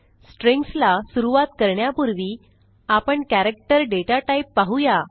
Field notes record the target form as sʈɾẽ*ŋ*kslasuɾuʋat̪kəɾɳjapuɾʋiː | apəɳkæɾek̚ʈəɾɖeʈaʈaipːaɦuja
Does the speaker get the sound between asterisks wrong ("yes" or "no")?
no